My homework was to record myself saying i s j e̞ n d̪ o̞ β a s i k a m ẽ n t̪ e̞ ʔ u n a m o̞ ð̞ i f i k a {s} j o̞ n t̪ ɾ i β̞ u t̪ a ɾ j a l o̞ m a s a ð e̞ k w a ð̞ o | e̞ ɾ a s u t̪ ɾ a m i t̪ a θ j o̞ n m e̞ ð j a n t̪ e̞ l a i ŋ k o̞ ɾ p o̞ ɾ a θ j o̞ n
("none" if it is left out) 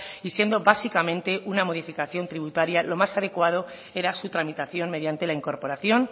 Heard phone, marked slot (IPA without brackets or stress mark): θ